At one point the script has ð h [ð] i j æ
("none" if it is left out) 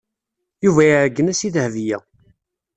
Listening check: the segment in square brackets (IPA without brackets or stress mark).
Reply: v